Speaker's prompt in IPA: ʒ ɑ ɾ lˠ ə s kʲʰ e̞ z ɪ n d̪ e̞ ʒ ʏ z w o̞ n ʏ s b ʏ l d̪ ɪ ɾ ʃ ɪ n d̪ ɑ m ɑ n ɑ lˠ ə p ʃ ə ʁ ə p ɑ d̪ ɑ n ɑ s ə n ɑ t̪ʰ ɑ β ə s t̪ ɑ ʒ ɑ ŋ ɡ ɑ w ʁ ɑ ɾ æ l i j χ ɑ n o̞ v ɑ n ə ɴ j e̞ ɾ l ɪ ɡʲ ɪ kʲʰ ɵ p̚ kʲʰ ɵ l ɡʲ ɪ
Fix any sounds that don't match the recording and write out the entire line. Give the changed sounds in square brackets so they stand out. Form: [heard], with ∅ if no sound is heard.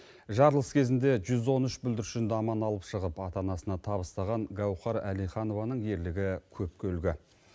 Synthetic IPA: ʒ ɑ ɾ lˠ ə s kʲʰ e̞ z ɪ n d̪ e̞ ʒ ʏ z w o̞ n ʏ [ʃ] b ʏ l d̪ ɪ ɾ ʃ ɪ n d̪ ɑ m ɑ n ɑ lˠ ə p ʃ ə ʁ ə p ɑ [t̪] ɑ n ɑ s ə n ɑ t̪ʰ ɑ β ə s t̪ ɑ [ʁ] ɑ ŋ ɡ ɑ w [χ] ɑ ɾ æ l i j χ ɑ n o̞ v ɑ n ə ɴ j e̞ ɾ l ɪ ɡʲ ɪ kʲʰ ɵ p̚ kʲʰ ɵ l ɡʲ ɪ